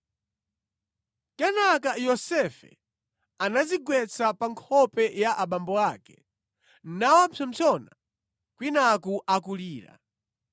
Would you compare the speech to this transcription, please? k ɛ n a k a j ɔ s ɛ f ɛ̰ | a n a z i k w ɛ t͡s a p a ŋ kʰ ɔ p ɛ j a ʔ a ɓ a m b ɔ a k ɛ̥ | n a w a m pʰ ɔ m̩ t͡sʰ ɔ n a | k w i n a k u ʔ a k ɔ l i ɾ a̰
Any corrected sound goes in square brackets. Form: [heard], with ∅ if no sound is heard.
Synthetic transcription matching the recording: k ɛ n a k a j ɔ s ɛ f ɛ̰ | a n a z i [ɡ] w ɛ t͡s a p a ŋ kʰ ɔ p ɛ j a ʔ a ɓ a m b ɔ a k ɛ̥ | n a w a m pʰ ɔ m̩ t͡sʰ ɔ n a | k w i n a k u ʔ a k [u] l [iː] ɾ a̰